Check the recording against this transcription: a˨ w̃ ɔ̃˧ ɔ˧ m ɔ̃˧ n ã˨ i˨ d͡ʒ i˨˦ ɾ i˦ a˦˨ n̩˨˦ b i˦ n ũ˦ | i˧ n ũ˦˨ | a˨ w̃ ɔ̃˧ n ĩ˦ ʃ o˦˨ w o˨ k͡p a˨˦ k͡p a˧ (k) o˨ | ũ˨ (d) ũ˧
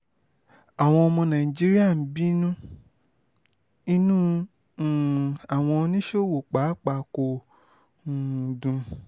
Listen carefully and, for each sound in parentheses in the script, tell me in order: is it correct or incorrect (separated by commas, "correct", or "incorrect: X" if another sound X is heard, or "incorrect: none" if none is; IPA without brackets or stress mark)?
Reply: correct, correct